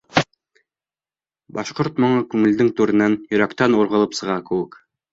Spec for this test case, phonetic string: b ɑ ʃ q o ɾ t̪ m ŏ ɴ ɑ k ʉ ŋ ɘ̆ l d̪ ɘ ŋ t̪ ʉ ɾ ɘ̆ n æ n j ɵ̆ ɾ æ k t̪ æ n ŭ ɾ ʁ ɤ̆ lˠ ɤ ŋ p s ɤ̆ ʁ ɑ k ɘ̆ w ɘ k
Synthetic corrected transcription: b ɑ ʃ q o ɾ t̪ m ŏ ɴ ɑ k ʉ ŋ ɘ̆ l d̪ ɘ ŋ t̪ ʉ ɾ ɘ̆ n æ n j ɵ̆ ɾ æ k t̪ æ n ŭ ɾ ʁ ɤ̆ lˠ ɤ p s ɤ̆ ʁ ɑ k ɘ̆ w ɘ k